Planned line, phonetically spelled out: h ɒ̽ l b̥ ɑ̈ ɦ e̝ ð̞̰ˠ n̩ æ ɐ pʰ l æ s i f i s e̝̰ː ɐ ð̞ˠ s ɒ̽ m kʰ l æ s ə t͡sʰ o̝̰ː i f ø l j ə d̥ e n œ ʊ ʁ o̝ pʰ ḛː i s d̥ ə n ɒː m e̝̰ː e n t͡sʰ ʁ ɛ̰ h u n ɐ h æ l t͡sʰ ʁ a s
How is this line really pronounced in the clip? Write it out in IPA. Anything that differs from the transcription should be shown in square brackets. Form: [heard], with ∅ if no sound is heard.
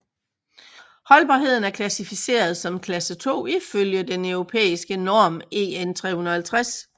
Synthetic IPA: h ɒ̽ l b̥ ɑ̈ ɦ e̝ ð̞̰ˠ n̩ æ ɐ [kʰ] l æ s i f i s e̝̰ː ɐ ð̞ˠ s ɒ̽ m kʰ l æ s ə t͡sʰ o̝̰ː i f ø l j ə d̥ e n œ ʊ ʁ o̝ pʰ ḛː i s [ɡ̥] ə n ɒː m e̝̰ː e n t͡sʰ ʁ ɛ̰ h u n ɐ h æ l t͡sʰ ʁ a s

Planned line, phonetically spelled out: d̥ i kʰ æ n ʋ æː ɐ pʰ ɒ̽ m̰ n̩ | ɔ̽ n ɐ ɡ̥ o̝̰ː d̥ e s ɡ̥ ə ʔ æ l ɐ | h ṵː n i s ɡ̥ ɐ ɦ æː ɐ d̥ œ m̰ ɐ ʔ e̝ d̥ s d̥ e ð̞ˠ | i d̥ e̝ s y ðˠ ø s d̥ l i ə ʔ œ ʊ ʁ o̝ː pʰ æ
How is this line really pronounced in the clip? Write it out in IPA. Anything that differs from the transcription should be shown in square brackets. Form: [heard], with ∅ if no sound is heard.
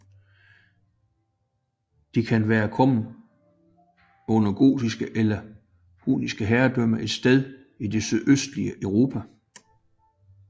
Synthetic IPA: d̥ i kʰ æ n ʋ æː ɐ [kʰ] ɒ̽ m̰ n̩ | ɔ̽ n ɐ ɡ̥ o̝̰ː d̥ [i] s ɡ̥ ə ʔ [e] l ɐ | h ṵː n i s ɡ̥ [ə] ɦ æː ɐ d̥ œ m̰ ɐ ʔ e̝ d̥ s d̥ e ð̞ˠ | i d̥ e̝ s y ðˠ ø s d̥ l i ə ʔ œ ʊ ʁ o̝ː pʰ æ

